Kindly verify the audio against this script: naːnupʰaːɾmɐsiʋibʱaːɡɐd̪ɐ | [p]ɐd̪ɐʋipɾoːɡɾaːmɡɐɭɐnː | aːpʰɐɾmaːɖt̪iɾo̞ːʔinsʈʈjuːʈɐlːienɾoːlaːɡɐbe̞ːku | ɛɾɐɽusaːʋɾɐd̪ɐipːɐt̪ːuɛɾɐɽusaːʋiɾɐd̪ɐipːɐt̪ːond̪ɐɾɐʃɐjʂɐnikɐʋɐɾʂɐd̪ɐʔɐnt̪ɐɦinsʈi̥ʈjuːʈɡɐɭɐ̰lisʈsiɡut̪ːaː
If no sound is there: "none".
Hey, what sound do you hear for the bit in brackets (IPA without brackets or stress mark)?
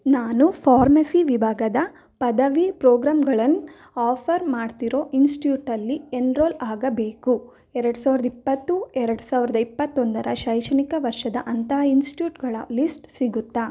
p